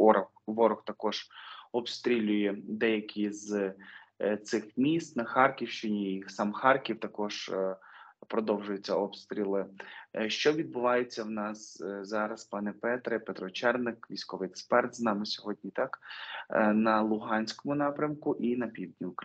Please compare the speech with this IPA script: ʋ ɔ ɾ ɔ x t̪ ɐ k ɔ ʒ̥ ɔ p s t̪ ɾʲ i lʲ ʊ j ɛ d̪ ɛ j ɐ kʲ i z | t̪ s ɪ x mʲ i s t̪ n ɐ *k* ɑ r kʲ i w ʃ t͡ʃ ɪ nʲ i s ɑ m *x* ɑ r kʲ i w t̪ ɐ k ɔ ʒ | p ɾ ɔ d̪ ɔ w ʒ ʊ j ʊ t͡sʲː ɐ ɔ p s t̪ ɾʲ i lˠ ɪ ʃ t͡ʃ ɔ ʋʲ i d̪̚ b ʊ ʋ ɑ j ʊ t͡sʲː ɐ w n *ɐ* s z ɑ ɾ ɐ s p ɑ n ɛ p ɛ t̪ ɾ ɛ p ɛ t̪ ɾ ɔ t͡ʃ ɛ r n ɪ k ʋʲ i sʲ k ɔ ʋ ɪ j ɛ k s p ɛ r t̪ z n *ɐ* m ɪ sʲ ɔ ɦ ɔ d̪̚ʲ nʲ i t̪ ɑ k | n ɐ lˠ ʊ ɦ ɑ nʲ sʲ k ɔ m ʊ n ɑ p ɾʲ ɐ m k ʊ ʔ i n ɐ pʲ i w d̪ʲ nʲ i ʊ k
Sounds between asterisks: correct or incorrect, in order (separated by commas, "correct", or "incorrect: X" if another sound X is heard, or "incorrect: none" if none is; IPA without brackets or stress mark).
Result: incorrect: x, correct, incorrect: ɑ, incorrect: ɑ